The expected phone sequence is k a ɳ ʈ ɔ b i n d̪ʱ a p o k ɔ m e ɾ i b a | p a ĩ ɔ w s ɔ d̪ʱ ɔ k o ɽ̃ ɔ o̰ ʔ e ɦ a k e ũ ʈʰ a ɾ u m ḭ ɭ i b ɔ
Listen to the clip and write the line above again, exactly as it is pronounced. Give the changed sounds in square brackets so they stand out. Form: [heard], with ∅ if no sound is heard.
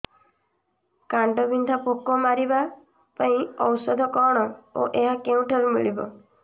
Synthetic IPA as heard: k a ɳ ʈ ɔ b i n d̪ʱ a p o k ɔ m [a] ɾ i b a | p a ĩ ɔ w s ɔ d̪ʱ ɔ k [ɔ] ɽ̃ ɔ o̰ ʔ e ɦ a k e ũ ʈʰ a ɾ u m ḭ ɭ i b ɔ